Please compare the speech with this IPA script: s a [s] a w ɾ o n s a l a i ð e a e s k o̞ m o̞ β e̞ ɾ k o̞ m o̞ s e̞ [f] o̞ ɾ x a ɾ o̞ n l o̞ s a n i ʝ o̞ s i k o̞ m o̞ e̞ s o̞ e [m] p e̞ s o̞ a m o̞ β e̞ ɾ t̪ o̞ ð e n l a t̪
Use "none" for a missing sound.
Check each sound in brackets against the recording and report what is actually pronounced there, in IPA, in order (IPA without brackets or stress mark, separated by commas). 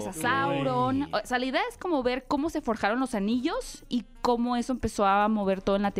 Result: s, f, m